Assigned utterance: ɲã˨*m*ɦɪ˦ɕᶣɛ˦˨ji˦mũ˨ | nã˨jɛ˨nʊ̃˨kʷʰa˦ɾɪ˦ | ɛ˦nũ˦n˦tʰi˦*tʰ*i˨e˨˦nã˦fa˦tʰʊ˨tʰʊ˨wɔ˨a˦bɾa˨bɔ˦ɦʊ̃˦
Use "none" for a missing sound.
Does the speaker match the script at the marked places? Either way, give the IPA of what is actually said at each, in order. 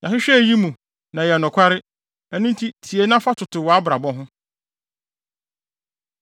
none, tʰ

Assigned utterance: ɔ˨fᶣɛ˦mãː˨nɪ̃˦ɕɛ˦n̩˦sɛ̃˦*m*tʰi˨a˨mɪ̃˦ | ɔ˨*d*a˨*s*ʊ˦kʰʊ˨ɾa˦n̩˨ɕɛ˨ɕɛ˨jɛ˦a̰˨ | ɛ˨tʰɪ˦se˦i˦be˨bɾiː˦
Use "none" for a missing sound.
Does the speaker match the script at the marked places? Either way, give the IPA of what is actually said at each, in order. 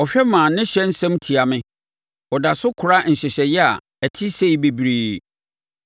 m, d, s

